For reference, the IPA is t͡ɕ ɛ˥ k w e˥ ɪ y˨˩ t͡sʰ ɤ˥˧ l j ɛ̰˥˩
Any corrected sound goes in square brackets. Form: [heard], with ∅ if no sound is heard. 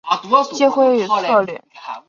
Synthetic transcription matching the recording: t͡ɕ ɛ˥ [x] w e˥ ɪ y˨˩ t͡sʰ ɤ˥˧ l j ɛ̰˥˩